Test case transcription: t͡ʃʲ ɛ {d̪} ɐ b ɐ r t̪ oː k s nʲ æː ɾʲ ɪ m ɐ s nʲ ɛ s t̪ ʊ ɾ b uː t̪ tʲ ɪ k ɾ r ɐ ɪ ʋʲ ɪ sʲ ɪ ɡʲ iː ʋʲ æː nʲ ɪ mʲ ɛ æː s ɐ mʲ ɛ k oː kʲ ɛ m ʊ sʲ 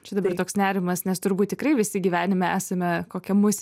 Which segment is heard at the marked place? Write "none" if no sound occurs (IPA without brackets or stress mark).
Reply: d̪